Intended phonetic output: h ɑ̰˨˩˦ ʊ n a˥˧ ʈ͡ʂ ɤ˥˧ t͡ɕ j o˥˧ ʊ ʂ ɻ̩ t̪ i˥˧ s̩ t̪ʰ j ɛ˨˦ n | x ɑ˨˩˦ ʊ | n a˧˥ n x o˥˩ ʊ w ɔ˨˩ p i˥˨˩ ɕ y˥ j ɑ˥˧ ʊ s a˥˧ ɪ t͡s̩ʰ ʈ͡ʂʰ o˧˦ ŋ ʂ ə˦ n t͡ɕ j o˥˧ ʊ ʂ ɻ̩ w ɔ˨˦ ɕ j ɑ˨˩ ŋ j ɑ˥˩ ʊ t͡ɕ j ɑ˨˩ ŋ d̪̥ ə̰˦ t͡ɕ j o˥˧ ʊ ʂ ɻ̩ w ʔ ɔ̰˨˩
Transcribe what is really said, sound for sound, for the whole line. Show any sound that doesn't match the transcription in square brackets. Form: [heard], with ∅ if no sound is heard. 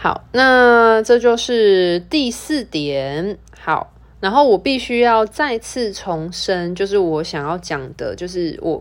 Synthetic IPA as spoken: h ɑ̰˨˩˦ ʊ n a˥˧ ʈ͡ʂ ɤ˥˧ t͡ɕ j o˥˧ ʊ ʂ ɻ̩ t̪ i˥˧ s̩ [t̪] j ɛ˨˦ n | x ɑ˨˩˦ ʊ | n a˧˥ n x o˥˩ ʊ w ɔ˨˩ p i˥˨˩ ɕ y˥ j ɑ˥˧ ʊ [t͡s] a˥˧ ɪ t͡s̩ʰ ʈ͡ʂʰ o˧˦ ŋ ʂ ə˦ n t͡ɕ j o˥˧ ʊ ʂ ɻ̩ w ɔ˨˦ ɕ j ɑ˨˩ ŋ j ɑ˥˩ ʊ t͡ɕ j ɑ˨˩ ŋ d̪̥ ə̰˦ t͡ɕ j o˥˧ ʊ ʂ ɻ̩ w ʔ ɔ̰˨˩